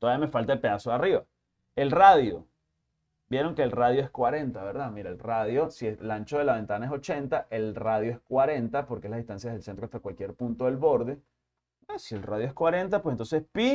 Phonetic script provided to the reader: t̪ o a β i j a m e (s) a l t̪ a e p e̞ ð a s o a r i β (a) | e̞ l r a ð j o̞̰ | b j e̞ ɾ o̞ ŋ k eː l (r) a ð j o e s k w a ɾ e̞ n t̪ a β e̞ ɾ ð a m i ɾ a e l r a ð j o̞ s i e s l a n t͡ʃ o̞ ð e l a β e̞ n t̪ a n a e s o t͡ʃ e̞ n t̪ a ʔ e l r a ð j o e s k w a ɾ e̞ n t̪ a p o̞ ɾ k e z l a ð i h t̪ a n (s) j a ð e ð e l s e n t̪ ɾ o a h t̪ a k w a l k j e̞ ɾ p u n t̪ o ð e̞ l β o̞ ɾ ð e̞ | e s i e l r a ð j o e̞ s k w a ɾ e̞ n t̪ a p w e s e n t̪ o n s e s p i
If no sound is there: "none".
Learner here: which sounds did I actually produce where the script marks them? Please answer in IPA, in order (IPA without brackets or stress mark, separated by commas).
f, a, r, s